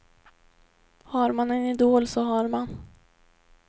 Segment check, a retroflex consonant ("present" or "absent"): absent